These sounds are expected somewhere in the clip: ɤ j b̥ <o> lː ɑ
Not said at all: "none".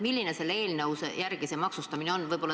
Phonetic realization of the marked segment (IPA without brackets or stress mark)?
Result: o